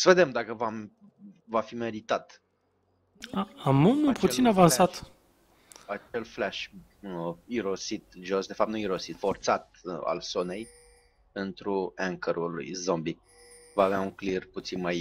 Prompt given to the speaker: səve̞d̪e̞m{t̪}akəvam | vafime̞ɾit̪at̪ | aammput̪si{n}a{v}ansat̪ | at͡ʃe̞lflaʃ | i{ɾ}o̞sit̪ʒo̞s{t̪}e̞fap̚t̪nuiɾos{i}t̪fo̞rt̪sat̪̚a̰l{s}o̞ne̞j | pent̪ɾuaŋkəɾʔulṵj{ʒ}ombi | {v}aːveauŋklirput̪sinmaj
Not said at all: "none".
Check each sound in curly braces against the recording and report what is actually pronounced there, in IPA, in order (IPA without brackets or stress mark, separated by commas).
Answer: d̪, n, v, ɾ, d̪, i, s, z, v